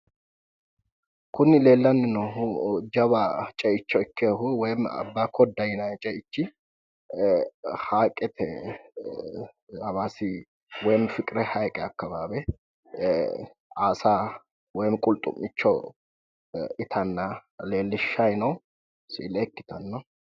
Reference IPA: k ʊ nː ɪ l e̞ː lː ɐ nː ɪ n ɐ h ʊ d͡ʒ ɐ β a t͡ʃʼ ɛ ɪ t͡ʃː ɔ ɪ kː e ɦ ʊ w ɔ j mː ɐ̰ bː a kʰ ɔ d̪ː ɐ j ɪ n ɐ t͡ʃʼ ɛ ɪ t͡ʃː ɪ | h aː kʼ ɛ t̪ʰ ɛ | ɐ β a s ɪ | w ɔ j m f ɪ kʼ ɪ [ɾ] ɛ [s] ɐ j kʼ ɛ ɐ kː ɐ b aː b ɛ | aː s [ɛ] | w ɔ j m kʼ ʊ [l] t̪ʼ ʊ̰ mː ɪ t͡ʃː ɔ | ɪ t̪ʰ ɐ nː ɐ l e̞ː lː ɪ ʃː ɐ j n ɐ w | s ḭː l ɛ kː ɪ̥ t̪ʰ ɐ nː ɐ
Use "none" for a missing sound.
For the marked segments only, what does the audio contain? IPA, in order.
ɾ, h, a, l

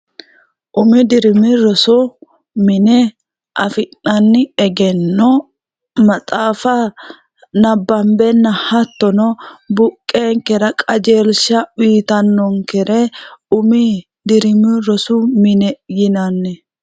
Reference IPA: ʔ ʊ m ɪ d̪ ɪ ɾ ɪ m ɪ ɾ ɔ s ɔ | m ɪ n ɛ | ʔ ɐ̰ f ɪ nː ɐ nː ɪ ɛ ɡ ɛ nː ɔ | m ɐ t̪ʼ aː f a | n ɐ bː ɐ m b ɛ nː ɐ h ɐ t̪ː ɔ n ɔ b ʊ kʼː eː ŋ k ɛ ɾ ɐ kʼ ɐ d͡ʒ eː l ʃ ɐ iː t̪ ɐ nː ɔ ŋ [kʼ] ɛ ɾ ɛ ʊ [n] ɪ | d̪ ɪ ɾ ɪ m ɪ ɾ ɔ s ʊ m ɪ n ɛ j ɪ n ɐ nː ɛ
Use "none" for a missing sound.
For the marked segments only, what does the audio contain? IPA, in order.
k, m

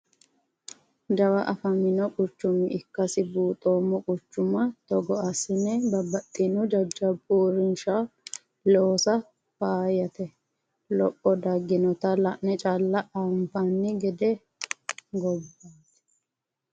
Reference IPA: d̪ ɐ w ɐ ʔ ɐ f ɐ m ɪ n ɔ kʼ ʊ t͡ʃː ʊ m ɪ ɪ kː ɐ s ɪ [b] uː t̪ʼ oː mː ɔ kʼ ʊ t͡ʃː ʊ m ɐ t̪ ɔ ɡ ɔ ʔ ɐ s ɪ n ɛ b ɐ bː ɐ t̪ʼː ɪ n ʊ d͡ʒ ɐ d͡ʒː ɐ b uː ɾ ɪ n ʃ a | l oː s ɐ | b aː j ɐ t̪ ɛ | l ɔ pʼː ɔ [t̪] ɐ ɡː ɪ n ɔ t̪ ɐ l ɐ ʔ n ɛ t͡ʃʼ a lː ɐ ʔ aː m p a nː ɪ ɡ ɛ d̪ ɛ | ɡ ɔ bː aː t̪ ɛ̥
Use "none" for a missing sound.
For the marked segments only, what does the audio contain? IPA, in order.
b, d̪

